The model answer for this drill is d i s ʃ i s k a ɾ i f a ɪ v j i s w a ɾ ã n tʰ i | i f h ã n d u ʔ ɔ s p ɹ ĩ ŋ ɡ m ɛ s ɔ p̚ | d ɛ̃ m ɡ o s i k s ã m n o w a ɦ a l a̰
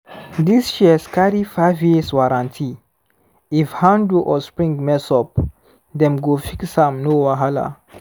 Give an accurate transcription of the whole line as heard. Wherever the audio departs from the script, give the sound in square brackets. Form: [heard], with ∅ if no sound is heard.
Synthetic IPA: d i s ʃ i s k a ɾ i f a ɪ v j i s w a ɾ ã n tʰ i | i f h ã n d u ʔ ɔ s p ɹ ĩ ŋ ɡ m ɛ s ɔ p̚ | d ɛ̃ m ɡ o [f] i k s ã m n o w a ɦ a l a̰